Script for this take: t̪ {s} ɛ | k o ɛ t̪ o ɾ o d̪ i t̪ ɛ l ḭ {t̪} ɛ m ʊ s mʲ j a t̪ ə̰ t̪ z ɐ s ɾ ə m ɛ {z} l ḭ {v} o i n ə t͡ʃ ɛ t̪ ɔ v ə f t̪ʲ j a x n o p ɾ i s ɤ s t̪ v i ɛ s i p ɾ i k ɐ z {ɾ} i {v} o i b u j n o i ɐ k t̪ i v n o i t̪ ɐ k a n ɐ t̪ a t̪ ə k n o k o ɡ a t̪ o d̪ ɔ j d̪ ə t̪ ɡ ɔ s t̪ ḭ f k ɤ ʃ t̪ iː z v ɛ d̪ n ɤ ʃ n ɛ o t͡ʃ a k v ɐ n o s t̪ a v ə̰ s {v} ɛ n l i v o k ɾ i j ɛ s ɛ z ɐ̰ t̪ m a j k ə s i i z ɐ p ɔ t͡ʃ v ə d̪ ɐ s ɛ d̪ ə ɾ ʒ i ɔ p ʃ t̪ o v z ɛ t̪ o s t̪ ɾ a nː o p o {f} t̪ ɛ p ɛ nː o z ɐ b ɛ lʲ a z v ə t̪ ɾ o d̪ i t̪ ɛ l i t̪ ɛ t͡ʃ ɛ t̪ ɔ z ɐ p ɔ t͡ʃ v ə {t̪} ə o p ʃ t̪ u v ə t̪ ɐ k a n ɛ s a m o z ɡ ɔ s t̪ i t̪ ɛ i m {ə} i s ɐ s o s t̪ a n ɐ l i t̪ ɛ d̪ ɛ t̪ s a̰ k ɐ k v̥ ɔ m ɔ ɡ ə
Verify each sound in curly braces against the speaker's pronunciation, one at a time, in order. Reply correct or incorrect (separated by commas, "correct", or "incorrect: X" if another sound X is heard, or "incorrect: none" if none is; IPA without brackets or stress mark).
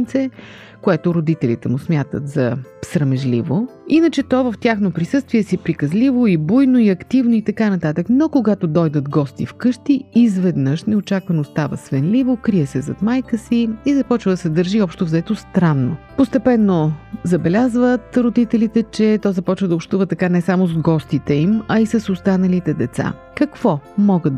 correct, correct, incorrect: ʒ, correct, incorrect: l, correct, correct, incorrect: s, incorrect: d̪, incorrect: ɐ